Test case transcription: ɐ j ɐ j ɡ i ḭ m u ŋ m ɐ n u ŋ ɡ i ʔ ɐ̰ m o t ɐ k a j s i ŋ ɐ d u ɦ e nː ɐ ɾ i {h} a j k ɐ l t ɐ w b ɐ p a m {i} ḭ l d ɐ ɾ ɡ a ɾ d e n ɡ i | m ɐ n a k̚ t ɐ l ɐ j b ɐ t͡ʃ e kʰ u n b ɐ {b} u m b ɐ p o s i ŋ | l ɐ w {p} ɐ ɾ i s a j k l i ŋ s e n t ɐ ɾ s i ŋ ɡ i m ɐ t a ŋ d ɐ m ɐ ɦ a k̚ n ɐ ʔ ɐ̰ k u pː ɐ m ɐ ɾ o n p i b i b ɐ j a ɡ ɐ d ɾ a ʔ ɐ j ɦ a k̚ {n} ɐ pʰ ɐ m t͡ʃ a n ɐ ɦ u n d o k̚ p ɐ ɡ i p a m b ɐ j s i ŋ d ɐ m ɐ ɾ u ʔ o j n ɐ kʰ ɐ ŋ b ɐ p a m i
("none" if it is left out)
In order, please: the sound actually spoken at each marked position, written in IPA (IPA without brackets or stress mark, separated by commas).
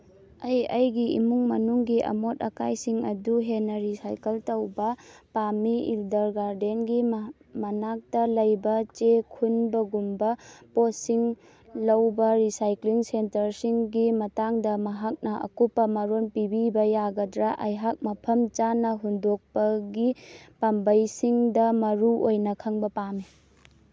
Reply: s, i, ɡ, b, m